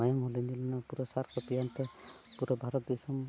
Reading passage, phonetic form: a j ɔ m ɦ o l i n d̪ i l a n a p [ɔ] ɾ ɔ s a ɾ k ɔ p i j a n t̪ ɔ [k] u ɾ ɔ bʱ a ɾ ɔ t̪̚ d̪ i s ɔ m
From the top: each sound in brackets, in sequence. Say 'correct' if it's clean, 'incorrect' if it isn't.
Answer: incorrect, incorrect

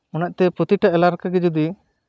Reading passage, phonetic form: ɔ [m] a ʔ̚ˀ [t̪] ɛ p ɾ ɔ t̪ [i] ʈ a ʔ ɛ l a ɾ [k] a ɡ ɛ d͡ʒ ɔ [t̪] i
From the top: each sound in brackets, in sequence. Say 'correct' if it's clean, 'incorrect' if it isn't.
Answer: incorrect, correct, correct, correct, incorrect

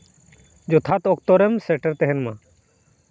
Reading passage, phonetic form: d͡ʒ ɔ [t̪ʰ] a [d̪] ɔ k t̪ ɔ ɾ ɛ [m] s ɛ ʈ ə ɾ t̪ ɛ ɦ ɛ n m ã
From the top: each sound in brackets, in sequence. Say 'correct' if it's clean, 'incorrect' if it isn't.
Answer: correct, incorrect, correct

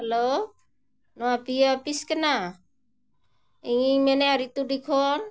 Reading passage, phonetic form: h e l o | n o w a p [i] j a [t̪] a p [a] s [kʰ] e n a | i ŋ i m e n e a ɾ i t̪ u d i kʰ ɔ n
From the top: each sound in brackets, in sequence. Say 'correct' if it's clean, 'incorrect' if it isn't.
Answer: correct, incorrect, incorrect, incorrect

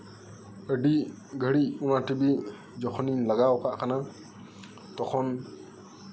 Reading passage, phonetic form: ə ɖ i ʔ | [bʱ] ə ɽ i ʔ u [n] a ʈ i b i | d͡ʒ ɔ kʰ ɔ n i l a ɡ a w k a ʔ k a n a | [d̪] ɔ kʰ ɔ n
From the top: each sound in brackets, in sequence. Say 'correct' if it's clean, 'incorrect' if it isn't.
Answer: incorrect, correct, incorrect

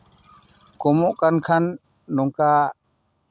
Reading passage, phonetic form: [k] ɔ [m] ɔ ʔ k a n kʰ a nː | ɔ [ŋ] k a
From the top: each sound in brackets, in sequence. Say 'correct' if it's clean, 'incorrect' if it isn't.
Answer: correct, correct, correct

